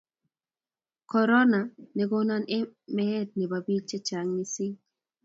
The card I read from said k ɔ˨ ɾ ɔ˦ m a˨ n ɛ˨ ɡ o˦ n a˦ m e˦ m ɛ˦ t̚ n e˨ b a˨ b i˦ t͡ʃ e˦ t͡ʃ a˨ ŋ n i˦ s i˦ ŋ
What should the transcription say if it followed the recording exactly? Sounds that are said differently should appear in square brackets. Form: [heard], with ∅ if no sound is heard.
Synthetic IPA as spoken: k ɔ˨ ɾ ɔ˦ [n] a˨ n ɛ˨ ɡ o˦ n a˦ [n] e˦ m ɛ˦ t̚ n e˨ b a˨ b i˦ t͡ʃ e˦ t͡ʃ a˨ ŋ n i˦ s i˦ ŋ